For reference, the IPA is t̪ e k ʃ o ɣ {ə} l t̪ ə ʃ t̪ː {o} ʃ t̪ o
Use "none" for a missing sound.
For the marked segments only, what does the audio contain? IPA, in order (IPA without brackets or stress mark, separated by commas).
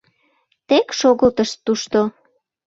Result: ə, u